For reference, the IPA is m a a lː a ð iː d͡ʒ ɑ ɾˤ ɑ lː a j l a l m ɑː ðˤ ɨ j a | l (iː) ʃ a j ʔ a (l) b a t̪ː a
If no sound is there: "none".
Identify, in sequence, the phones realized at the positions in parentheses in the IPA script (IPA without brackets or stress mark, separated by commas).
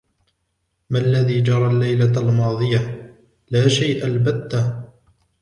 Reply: aː, l